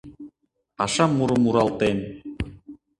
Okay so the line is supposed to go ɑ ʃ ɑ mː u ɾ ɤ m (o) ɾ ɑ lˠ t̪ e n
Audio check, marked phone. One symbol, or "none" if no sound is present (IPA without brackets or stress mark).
u